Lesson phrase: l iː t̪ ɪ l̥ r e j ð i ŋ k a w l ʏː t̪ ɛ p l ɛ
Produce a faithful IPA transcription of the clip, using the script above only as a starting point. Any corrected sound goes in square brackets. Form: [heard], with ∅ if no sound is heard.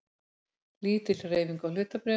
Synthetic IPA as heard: l iː t̪ ɪ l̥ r e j [v] i ŋ k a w l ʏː t̪ [a] p [ɾ] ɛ